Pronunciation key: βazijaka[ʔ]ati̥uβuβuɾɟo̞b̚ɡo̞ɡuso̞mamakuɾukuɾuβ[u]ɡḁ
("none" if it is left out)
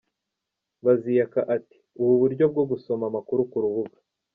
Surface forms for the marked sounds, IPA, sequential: ʔ, u

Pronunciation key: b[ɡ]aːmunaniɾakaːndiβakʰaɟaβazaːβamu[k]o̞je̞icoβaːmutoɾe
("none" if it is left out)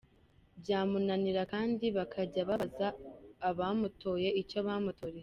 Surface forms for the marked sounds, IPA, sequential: ɟ, t

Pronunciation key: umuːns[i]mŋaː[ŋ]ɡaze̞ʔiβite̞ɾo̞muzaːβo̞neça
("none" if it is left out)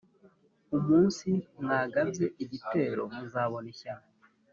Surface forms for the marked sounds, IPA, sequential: i, none

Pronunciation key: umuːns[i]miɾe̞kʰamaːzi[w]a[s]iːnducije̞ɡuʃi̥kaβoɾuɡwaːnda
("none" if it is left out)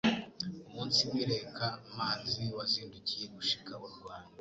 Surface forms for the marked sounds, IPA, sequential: i, w, z

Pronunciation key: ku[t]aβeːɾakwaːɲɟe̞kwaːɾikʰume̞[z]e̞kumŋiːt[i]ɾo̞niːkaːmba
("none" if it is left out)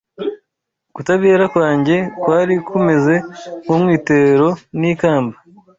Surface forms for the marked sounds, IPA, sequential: t, z, e

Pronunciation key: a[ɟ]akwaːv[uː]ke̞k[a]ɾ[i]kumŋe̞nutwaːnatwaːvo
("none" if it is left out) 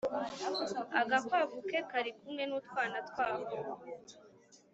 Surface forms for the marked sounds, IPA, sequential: ɡ, u, a, i

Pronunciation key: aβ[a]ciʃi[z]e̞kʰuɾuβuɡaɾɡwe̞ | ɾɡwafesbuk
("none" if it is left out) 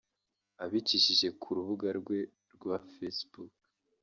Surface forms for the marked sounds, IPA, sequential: i, ʒ

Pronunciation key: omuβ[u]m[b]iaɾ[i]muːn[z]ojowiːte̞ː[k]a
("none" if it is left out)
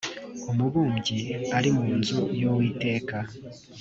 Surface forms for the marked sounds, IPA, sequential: uː, ɟ, i, z, k

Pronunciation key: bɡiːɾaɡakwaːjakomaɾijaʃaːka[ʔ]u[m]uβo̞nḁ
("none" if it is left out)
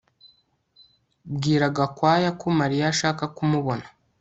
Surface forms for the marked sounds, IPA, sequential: k, m

